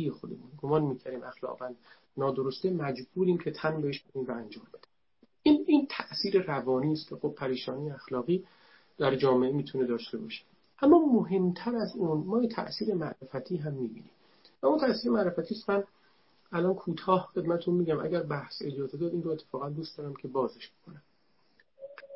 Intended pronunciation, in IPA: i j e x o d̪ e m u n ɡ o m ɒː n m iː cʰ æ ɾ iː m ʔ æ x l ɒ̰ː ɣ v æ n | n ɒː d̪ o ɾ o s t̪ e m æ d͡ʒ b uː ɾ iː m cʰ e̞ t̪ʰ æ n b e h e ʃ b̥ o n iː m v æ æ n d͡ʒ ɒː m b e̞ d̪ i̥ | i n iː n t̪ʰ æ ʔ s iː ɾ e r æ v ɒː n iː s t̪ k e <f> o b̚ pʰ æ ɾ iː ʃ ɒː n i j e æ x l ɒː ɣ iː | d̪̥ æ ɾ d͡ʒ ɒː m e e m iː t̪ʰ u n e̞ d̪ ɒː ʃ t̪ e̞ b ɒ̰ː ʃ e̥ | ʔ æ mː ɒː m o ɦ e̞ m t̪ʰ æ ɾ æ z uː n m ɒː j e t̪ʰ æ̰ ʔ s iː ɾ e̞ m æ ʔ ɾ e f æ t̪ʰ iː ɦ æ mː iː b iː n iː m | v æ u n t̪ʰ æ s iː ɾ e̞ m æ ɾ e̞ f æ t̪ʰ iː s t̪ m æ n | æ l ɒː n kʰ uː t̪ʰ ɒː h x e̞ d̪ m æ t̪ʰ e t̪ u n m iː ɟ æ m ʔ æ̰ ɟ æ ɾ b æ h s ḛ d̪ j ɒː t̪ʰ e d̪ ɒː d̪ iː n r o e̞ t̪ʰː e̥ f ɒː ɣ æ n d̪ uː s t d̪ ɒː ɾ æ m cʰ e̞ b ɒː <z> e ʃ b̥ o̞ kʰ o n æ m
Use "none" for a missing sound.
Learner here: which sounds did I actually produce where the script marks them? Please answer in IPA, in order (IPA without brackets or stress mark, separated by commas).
x, z